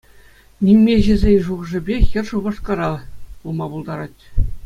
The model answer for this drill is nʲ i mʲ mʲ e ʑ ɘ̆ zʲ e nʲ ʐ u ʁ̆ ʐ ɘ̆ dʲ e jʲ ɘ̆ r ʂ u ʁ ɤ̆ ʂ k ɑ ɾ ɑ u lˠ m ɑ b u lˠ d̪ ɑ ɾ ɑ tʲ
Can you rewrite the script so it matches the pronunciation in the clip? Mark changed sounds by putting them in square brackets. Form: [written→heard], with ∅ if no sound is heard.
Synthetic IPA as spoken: nʲ i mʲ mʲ e ʑ ɘ̆ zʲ e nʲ ʐ u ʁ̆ ʐ ɘ̆ [dʲ→bʲ] e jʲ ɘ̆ r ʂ u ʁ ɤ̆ ʂ k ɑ ɾ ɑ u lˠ m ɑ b u lˠ d̪ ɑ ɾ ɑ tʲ